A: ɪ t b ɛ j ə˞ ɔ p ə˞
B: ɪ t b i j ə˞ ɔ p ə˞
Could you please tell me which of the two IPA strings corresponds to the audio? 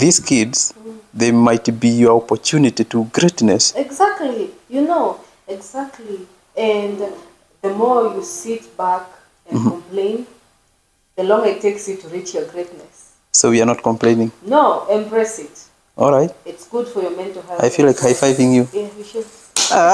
B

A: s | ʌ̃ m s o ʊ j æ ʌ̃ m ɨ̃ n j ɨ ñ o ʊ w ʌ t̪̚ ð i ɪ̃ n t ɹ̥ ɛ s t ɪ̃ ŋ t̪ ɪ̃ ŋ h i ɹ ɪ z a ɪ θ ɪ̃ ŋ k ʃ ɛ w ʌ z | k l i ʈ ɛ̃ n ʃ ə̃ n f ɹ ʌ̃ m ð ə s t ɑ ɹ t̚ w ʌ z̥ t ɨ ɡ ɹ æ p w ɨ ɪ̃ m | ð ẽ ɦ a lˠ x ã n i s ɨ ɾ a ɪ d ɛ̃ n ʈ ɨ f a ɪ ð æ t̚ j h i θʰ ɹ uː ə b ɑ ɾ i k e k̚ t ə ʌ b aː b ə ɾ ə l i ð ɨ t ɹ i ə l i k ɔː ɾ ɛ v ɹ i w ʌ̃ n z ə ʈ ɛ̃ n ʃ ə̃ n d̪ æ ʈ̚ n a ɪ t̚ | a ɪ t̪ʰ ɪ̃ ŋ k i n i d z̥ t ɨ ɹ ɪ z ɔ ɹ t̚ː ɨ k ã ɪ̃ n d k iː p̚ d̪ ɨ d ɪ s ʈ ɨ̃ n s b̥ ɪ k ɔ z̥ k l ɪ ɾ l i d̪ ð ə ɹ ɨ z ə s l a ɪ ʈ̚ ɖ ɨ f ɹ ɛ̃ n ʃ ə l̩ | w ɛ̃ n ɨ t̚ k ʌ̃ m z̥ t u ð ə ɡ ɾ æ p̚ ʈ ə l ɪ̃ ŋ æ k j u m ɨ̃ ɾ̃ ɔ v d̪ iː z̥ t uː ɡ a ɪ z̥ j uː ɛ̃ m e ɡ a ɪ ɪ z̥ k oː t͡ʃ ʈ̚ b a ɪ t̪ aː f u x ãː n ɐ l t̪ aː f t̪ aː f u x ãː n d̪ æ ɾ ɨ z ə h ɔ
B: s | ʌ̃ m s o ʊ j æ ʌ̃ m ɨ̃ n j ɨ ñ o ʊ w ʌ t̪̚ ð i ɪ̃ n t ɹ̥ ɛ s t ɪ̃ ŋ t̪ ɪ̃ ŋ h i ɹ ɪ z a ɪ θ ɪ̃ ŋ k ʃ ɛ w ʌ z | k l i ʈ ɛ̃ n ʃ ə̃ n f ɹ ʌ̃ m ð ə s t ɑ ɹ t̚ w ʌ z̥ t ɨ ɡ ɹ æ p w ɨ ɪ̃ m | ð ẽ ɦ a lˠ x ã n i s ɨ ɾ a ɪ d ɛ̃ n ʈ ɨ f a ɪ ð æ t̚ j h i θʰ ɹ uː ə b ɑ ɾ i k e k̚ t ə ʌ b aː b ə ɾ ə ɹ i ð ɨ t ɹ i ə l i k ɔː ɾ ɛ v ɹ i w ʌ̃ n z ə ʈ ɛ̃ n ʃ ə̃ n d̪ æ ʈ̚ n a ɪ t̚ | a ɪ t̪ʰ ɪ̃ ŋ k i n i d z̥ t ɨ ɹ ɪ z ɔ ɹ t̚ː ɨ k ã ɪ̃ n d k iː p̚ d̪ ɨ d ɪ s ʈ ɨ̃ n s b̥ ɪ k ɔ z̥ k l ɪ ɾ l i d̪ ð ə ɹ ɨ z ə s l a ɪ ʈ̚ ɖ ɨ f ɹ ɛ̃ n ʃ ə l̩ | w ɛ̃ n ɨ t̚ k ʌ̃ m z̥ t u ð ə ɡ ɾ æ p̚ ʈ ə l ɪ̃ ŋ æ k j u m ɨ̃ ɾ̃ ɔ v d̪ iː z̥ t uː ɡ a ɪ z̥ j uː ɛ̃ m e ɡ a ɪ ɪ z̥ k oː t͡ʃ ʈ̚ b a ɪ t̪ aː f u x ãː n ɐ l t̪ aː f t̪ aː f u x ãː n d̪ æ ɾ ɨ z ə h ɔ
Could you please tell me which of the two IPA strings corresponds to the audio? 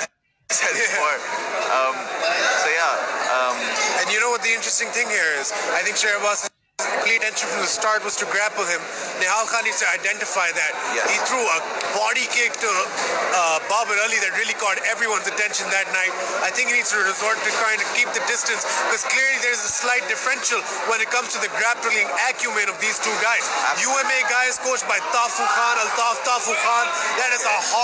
A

